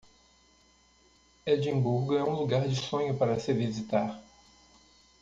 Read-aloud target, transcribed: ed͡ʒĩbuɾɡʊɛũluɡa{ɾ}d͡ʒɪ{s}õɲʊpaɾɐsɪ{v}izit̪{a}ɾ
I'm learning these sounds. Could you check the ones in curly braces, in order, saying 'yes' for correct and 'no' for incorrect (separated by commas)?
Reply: yes, yes, yes, yes